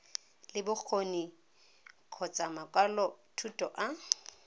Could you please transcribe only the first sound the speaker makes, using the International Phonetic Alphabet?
l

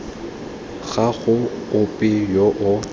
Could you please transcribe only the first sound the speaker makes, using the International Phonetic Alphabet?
ɣ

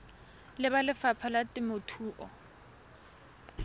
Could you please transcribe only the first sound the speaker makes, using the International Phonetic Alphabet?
l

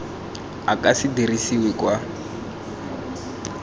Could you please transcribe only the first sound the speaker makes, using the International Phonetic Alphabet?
a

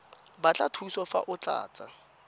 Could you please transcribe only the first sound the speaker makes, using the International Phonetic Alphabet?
b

